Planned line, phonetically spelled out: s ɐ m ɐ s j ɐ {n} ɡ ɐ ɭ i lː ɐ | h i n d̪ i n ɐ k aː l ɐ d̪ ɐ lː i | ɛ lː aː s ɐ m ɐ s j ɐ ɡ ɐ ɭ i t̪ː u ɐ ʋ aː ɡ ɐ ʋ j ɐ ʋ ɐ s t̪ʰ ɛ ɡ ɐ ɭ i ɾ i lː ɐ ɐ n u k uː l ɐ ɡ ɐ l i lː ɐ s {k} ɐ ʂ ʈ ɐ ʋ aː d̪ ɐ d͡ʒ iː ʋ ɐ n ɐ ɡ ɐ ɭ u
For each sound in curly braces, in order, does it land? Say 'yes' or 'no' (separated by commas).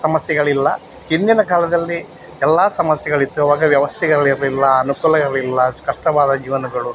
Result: no, yes